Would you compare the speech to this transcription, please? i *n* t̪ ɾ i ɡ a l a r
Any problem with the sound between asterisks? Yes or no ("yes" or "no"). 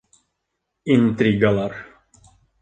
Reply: no